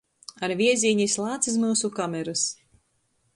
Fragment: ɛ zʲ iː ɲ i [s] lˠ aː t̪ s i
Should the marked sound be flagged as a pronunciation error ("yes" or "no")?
no